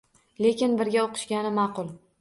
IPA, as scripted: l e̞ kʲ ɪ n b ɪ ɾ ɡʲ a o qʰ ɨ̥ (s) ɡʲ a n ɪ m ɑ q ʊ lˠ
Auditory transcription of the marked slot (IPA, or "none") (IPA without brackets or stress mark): ʃ